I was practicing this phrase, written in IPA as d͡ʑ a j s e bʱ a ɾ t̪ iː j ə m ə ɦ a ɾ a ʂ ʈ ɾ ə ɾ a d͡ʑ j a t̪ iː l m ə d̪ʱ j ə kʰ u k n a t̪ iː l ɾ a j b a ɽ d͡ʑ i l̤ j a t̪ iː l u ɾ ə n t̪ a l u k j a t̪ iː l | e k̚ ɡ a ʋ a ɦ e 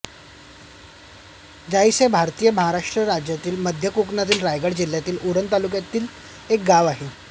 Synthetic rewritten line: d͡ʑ a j s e bʱ a ɾ t̪ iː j ə m ə ɦ a ɾ a ʂ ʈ ɾ ə ɾ a d͡ʑ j a t̪ iː l m ə d̪ʱ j ə k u k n a t̪ iː l ɾ a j ɡ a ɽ d͡ʑ i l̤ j a t̪ iː l u ɾ ə n t̪ a l u k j a t̪ iː l | e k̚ ɡ a ʋ a ɦ e